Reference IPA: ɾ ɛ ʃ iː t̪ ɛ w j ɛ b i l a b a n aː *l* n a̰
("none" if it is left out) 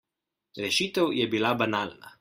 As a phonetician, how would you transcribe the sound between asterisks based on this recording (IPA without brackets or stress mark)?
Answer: l